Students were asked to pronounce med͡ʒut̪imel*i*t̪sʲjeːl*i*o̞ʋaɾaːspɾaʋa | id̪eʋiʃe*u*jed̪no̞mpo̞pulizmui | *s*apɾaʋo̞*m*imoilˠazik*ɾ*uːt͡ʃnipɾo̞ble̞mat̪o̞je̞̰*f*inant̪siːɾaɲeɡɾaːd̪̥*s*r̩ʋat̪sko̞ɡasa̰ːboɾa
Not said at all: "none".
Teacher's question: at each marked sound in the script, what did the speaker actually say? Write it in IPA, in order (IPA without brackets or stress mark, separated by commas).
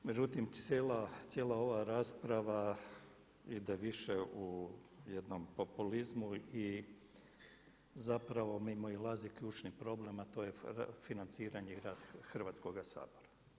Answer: a, a, u, z, m, ʎ, f, x